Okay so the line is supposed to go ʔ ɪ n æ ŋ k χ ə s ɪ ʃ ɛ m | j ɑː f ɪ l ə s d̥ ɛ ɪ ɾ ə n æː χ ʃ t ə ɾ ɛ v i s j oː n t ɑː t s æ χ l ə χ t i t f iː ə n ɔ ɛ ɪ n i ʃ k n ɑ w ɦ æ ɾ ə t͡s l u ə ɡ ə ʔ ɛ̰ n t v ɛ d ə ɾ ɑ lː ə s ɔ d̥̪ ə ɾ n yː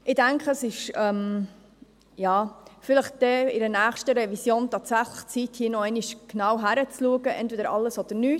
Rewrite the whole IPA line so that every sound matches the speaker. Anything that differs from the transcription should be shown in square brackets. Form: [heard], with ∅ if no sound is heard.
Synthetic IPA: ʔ ɪ [d] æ ŋ k χ ə s ɪ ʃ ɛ m | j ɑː f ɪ l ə [χ] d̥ ɛ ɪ ɾ ə n æː χ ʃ t ə ɾ ɛ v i s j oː n t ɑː t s æ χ l ə χ [t͡s] i t [h] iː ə n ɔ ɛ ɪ n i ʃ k n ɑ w ɦ æ ɾ ə t͡s l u ə ɡ ə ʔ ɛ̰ n t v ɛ d ə ɾ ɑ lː ə s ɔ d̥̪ ə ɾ n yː